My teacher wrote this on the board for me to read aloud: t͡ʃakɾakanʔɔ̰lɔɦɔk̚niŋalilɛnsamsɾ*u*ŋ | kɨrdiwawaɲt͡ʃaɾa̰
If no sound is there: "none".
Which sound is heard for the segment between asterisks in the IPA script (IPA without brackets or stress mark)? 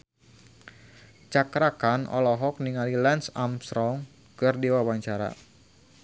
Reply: ɔ